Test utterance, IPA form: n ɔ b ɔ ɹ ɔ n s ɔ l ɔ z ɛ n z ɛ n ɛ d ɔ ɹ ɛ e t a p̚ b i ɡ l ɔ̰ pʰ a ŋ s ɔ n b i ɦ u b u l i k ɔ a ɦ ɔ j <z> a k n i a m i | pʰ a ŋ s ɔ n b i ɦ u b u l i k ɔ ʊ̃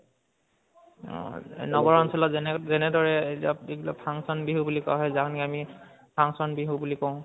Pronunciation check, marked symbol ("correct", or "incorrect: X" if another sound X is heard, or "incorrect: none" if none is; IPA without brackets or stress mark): correct